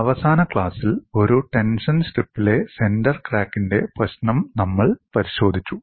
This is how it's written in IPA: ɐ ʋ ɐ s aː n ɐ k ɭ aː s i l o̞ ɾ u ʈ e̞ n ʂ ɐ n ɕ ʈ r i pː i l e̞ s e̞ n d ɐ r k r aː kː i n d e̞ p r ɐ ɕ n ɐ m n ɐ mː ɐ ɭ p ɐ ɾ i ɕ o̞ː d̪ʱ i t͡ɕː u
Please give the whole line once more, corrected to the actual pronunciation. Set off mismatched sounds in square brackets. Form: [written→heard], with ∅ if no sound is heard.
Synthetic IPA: ɐ ʋ ɐ s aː n ɐ k ɭ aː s i l o̞ ɾ u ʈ e̞ n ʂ ɐ n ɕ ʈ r i pː i l e̞ s e̞ n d ɐ r k r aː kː i n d e̞ p r ɐ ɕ n ɐ m n ɐ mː ɐ ɭ p ɐ ɾ i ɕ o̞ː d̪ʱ i t͡ɕː u

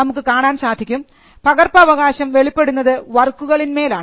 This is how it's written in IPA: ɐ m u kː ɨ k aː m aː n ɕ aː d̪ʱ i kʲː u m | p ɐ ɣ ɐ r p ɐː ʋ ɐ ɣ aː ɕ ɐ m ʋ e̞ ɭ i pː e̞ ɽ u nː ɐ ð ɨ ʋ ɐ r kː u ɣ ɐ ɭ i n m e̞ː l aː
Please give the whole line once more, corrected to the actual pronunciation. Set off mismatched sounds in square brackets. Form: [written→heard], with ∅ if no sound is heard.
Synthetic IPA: ɐ m u kː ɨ k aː [m→ɳ] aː n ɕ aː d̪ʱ i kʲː u m | p ɐ ɣ ɐ r p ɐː ʋ ɐ ɣ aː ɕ ɐ m ʋ e̞ ɭ i pː e̞ ɽ u nː ɐ ð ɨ ʋ ɐ r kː u ɣ ɐ ɭ i n m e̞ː l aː

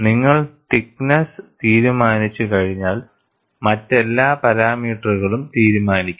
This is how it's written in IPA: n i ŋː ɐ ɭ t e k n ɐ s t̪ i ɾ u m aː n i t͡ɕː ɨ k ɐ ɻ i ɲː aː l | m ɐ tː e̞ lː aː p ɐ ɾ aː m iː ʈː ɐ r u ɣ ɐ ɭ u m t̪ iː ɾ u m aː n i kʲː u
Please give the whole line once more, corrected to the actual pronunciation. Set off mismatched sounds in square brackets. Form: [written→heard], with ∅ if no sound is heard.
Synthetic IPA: n i ŋː ɐ ɭ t [e→i] k n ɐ s t̪ [i→iː] ɾ u m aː n i t͡ɕː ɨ k ɐ ɻ i ɲː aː l | m ɐ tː e̞ lː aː p ɐ ɾ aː m iː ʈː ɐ r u ɣ ɐ ɭ u m t̪ iː ɾ u m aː n i kʲː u

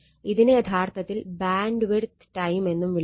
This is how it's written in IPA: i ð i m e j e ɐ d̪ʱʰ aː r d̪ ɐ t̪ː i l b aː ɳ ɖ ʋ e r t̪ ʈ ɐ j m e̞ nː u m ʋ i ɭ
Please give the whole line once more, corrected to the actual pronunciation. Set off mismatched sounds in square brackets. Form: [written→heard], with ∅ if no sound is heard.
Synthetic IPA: i ð i [m→n] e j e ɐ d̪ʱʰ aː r [d̪→t̪] ɐ t̪ː i l b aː ɳ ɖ ʋ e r t̪ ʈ ɐ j m e̞ nː u m ʋ i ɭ

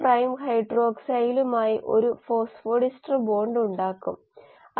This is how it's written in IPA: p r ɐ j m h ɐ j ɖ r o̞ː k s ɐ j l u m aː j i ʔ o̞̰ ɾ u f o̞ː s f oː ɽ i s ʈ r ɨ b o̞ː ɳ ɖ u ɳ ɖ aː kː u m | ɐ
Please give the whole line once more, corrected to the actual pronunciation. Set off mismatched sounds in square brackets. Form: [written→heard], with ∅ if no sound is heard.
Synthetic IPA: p r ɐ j m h ɐ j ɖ r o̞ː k s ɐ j l u m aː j i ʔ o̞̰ ɾ u f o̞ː s f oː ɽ i s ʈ r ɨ b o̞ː ɳ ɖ u ɳ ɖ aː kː u m | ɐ

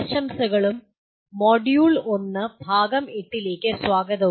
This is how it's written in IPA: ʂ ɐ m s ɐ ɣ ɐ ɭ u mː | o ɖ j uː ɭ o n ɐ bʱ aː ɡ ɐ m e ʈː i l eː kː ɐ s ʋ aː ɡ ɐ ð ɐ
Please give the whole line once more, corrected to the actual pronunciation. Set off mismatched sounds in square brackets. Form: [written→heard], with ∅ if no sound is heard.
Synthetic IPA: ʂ ɐ m s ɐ ɣ ɐ ɭ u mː | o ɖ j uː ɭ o [n→nː] ɐ bʱ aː ɡ ɐ m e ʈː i l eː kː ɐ s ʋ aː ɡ ɐ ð ɐ

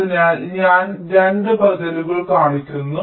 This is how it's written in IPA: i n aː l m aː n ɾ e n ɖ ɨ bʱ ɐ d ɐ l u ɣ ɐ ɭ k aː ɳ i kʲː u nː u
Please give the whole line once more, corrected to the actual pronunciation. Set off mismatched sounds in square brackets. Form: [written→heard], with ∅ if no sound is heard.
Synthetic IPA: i n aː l [m→ɲ] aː n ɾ e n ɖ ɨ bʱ ɐ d ɐ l u ɣ ɐ ɭ k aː ɳ i kʲː u nː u

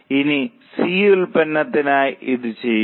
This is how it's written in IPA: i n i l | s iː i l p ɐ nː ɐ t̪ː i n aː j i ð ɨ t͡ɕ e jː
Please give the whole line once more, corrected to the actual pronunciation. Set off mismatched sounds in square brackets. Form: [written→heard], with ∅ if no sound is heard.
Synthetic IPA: i n i [l→∅] | s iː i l p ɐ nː ɐ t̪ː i n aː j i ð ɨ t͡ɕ e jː

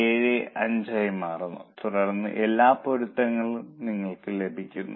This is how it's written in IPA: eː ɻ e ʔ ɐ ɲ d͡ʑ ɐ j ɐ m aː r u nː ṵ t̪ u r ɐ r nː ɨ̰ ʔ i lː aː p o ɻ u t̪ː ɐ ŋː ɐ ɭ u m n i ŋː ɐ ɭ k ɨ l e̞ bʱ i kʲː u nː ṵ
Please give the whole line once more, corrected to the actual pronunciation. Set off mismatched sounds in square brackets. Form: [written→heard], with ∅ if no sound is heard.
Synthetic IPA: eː ɻ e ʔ ɐ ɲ d͡ʑ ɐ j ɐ m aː r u nː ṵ t̪ u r ɐ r nː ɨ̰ ʔ [i→e] lː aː p o ɻ u t̪ː ɐ ŋː ɐ ɭ u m n i ŋː ɐ ɭ k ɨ l e̞ bʱ i kʲː u nː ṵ

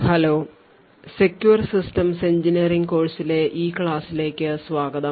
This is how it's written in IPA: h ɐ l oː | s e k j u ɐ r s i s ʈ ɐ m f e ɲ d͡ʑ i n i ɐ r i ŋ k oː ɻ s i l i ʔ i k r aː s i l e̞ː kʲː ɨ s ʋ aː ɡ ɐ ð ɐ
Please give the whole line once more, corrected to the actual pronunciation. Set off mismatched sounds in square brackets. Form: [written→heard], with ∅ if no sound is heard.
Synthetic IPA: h ɐ l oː | s e k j u ɐ r s i s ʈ ɐ m [f→s] e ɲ d͡ʑ i n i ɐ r i ŋ k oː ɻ s i l [i→e] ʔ [i→iː] k [r→ɭ] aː s i l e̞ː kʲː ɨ s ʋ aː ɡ ɐ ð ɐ

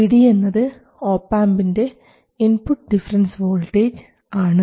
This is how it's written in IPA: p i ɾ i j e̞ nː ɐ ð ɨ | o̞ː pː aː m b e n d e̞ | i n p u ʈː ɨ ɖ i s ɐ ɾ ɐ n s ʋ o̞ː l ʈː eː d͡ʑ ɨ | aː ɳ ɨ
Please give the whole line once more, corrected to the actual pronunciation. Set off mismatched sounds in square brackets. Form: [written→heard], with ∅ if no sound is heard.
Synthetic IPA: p i [ɾ→ɽ] i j e̞ nː ɐ ð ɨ | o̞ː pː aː m b [e→i] n d e̞ | i n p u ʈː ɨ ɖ i [s→f] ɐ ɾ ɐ n s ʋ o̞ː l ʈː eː d͡ʑ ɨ | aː ɳ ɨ

